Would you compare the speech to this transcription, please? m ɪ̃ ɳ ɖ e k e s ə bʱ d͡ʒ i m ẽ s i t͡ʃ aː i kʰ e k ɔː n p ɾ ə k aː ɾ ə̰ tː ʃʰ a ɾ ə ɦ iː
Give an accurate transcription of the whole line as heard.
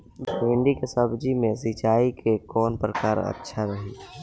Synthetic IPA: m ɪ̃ ɳ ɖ i k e s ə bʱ d͡ʒ i m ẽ s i t͡ʃ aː i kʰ e k ɔː n p ɾ ə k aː ɾ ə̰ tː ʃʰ a ɾ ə ɦ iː

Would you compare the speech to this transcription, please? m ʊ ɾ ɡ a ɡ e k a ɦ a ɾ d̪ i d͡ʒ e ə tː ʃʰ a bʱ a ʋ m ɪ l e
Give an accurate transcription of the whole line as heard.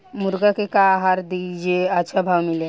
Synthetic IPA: m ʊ ɾ ɡ a k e k a ɦ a ɾ d̪ i d͡ʒ e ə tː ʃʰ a bʱ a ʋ m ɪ l e

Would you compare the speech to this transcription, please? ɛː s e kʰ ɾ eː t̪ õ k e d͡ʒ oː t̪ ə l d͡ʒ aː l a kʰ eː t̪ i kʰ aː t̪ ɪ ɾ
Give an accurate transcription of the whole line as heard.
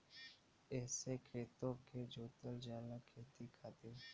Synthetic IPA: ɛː s e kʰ ɾ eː t̪ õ k e d͡ʒ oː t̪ ə l d͡ʒ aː l a kʰ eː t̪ i kʰ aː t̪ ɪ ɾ

